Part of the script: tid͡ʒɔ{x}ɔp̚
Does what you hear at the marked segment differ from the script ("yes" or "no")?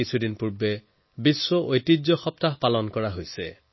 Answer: no